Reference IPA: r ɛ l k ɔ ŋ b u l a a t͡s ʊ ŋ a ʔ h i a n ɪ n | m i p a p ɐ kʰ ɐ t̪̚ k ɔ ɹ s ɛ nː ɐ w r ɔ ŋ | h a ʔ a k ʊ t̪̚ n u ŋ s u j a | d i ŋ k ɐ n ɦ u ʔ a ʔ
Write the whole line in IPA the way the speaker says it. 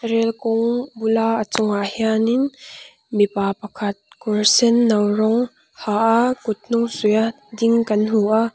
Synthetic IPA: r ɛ l k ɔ ŋ b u l a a t͡s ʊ ŋ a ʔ h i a n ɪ n | m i p a p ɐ kʰ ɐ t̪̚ k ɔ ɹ s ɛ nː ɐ w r ɔ ŋ | h a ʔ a k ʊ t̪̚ n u ŋ s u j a | d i ŋ k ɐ n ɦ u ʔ a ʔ